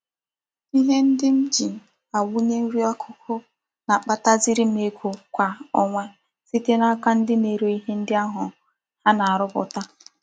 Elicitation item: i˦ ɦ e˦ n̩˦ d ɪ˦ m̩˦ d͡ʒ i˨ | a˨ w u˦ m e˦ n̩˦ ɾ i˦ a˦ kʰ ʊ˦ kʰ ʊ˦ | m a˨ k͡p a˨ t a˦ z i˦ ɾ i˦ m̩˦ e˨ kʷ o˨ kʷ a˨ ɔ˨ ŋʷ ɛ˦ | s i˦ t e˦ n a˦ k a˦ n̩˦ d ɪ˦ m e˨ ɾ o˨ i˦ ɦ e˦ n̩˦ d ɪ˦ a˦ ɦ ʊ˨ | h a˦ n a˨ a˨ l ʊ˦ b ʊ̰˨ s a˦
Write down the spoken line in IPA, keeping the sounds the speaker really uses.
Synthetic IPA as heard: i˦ ɦ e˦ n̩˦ d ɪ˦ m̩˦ d͡ʒ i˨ | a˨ w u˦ ɲ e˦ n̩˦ ɾ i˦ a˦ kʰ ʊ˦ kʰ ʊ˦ | n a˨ k͡p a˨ t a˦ z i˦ ɾ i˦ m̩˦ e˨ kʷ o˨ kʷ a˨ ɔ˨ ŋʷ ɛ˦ | s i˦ t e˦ n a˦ k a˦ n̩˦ d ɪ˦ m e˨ ɾ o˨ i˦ ɦ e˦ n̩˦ d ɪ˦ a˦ ɦ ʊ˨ | h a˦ n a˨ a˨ ɾ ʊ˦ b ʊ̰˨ t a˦